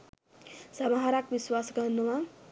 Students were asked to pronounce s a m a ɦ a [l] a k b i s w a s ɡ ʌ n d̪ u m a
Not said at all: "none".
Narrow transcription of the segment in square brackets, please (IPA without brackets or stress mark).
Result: ɾ